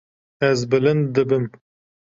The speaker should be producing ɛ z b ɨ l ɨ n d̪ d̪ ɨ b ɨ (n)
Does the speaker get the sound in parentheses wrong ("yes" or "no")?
yes